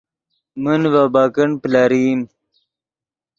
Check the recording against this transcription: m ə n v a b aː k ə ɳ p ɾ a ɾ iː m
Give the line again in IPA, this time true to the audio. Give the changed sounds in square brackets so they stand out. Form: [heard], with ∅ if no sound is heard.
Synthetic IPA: m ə n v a b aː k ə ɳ p [l] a ɾ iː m